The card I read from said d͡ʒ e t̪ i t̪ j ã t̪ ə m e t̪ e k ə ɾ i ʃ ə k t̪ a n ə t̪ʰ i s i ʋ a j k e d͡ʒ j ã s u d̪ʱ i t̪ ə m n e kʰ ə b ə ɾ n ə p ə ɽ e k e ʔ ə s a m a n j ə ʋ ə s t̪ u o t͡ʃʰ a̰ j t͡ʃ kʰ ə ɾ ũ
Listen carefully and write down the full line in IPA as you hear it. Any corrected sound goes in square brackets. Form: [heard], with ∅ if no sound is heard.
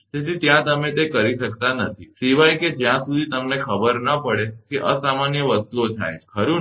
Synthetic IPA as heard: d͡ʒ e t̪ i t̪ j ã t̪ ə m e t̪ e k ə ɾ i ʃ ə k t̪ a n ə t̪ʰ i s i ʋ a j k e d͡ʒ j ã s u d̪ʱ i t̪ ə m n e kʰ ə b ə ɾ n ə p ə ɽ e k e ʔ ə s a m a n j ə ʋ ə s t̪ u o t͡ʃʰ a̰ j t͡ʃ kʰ ə ɾ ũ

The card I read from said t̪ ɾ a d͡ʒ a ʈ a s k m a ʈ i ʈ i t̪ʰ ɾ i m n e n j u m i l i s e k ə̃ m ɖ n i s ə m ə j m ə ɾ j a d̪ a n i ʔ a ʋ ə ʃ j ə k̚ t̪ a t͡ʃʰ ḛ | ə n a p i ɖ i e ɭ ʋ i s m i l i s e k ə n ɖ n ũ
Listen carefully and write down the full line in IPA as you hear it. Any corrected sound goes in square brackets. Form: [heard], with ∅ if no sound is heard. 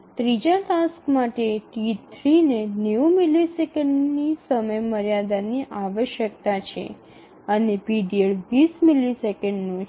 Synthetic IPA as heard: t̪ ɾ [i] d͡ʒ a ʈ a s k m a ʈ [e] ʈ i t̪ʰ ɾ i [∅] n e n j u m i l i s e k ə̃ [ɳ] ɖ n i s ə m ə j m ə ɾ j a d̪ a n i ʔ a ʋ ə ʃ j ə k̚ t̪ a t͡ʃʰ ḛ | ə n [e] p i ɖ i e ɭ ʋ i s m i l i s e k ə [ɳ] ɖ n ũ

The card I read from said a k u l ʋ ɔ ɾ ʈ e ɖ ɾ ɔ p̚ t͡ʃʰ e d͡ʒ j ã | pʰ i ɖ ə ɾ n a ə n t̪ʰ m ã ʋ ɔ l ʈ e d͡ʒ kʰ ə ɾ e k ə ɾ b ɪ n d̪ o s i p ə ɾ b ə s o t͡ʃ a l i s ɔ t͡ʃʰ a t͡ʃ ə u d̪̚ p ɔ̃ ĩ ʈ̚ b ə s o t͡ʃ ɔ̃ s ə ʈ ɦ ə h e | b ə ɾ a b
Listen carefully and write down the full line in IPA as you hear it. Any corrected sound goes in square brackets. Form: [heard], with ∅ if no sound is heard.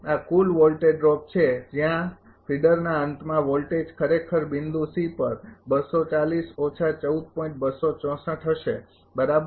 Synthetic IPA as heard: a k u l ʋ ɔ [l] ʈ e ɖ ɾ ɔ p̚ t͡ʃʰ e d͡ʒ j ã | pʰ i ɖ ə ɾ n a ə n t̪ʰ m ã ʋ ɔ l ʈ e d͡ʒ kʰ ə ɾ e [kʰ] ə ɾ b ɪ n d̪ [u] s i p ə ɾ b ə s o t͡ʃ a l i s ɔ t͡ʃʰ a t͡ʃ ə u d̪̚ p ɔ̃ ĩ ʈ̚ b ə s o t͡ʃ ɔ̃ s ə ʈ ɦ ə [ʃ] e | b ə ɾ a b

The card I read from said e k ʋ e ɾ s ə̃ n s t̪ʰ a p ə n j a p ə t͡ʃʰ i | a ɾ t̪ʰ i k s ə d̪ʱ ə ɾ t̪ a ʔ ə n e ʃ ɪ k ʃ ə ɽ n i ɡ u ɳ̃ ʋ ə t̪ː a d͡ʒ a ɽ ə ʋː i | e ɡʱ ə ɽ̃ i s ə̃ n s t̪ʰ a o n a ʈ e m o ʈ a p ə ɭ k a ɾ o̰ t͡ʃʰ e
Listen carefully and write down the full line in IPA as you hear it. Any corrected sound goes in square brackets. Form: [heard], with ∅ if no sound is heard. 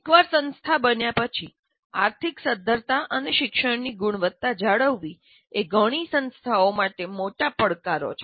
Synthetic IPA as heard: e k ʋ [a] ɾ s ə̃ n s t̪ʰ a [b] ə n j a p ə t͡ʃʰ i | a ɾ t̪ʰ i k s ə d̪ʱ ə ɾ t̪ a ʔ ə n e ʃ ɪ k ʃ ə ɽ n i ɡ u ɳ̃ ʋ ə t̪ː a d͡ʒ a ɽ ə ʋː i | e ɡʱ ə ɽ̃ i s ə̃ n s t̪ʰ a o [m] a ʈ e m o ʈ a p ə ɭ k a ɾ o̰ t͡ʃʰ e

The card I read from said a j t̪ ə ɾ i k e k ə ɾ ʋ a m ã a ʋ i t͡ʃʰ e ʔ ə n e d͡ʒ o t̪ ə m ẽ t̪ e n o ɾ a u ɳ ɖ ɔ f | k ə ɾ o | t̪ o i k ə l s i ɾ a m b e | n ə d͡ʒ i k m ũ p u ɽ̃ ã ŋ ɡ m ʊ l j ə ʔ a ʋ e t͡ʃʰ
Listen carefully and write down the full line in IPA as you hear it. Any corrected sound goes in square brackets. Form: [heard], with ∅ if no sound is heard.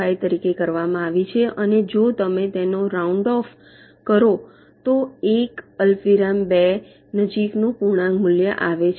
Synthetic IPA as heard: a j t̪ ə ɾ i k e k ə ɾ ʋ a m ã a ʋ i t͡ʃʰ e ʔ ə n e d͡ʒ o t̪ ə m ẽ t̪ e n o ɾ a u ɳ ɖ ɔ f | k ə ɾ o | t̪ o [e] k ə l [f] i ɾ a m b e | n ə d͡ʒ i k [n] ũ p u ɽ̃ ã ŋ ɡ m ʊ l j ə ʔ a ʋ e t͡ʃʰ

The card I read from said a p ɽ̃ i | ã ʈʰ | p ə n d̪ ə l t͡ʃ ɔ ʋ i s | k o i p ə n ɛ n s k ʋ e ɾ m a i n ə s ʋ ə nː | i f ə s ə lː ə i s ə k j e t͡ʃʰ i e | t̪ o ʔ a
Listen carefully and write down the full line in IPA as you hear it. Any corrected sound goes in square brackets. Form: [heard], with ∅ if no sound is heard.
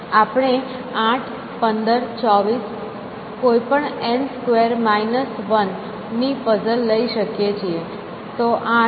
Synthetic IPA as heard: a p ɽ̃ [e] | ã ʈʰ | p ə n d̪ ə [ɾ] t͡ʃ ɔ ʋ i s | k o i p ə [ɳ] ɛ n s k ʋ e ɾ m a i n ə s ʋ ə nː | i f ə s ə lː ə i [ʃ] ə k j e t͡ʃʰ i e | t̪ o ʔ a

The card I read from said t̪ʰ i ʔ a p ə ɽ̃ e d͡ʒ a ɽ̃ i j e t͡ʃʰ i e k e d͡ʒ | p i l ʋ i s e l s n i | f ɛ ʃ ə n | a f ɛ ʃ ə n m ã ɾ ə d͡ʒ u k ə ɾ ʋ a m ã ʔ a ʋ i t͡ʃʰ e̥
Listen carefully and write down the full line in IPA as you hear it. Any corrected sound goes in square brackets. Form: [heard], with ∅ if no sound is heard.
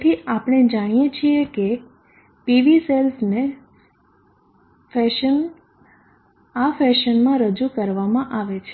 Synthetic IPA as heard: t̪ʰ i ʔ a p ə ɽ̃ e d͡ʒ a ɽ̃ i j e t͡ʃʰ i e k e [∅] | p i [∅] ʋ i s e l s n [e] | f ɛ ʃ ə n | a f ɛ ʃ ə n m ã ɾ ə d͡ʒ u k ə ɾ ʋ a m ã ʔ a ʋ [e] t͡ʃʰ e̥

